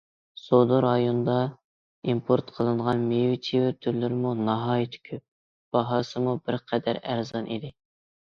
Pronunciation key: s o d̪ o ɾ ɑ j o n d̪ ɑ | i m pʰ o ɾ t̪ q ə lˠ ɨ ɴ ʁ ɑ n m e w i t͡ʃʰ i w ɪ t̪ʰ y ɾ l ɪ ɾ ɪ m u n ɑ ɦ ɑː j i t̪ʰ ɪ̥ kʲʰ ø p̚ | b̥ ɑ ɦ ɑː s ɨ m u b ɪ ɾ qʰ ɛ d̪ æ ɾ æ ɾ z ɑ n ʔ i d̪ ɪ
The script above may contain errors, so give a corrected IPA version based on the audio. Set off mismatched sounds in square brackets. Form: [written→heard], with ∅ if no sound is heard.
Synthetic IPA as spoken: s o d̪ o ɾ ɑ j o n d̪ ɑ | i m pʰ o ɾ t̪ [q→qʰ] ə lˠ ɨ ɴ ʁ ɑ n m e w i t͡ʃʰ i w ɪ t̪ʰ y ɾ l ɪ ɾ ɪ m u n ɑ ɦ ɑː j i t̪ʰ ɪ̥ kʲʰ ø p̚ | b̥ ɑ ɦ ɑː s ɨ m u b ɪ ɾ qʰ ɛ d̪ æ ɾ æ ɾ z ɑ n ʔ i d̪ ɪ